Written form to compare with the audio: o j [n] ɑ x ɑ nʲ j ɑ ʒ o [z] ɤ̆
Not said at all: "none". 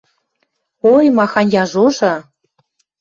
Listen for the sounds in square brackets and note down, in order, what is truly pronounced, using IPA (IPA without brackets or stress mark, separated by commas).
m, ʒ